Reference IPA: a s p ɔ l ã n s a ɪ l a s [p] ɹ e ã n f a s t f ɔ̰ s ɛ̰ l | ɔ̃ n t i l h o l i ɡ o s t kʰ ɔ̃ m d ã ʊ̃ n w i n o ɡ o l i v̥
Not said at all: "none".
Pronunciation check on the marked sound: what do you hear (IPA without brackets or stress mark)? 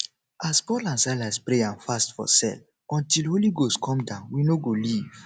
p